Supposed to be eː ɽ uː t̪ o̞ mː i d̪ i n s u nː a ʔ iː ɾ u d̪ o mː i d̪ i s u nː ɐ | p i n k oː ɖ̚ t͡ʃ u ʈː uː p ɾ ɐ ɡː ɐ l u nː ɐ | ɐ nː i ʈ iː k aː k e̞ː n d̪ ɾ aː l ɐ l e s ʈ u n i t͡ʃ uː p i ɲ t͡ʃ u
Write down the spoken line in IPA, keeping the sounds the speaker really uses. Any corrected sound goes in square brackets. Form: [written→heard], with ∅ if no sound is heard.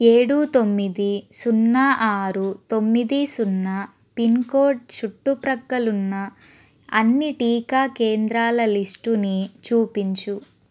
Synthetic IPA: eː ɽ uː t̪ o̞ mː i d̪ i [n→∅] s u nː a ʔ [iː→aː] ɾ u [d̪→t̪] o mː i d̪ i s u nː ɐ | p i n k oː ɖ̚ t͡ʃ u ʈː [uː→u] p ɾ ɐ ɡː ɐ l u nː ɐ | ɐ nː i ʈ iː k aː k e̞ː n d̪ ɾ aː l ɐ l [e→i] s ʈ u n i t͡ʃ uː p i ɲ t͡ʃ u